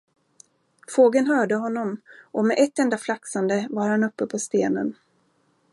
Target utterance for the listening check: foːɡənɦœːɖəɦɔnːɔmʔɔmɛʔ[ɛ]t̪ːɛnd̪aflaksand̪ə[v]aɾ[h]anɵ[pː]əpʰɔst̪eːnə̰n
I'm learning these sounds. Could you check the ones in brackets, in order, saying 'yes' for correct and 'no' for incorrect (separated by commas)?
yes, yes, yes, yes